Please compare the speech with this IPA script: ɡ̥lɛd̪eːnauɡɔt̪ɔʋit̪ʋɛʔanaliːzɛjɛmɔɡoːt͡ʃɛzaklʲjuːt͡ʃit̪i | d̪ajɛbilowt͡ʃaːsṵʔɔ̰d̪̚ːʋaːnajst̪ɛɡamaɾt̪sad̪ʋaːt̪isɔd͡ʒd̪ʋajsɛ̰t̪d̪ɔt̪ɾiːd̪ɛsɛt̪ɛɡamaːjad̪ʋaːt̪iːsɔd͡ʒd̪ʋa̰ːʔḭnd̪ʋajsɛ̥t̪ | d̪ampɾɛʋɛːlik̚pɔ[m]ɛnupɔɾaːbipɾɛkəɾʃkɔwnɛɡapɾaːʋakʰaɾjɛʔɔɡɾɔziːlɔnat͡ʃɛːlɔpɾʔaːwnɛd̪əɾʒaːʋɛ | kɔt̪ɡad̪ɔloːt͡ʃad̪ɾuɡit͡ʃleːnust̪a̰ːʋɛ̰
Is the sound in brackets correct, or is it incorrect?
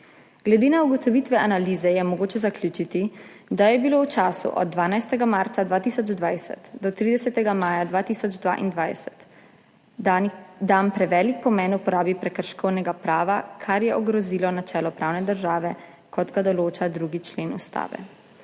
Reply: correct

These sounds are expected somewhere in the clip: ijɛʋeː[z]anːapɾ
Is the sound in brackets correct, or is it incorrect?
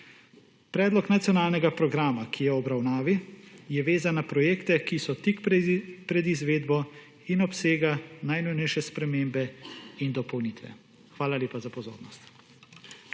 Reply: correct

